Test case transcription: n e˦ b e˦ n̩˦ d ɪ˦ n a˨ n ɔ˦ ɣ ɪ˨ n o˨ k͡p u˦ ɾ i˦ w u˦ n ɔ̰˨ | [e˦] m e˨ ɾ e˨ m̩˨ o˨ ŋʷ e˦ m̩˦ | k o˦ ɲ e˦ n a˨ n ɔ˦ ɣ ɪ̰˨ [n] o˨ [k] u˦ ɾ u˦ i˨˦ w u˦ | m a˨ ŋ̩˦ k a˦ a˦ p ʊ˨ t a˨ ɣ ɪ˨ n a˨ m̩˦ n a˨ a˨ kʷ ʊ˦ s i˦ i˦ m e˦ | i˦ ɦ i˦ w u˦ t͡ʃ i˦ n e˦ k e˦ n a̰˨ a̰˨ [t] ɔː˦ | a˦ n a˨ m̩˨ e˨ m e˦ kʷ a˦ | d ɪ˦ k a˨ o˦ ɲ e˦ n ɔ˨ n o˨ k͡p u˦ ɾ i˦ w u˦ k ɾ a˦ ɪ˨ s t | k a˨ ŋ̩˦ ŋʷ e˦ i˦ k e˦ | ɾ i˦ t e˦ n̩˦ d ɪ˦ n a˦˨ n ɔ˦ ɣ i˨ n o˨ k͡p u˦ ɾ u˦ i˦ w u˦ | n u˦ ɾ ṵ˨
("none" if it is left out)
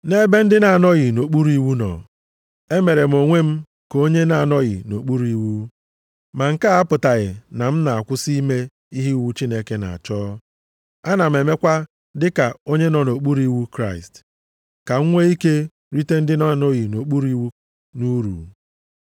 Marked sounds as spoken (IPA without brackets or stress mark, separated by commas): e˦, n, k͡p, t͡ʃ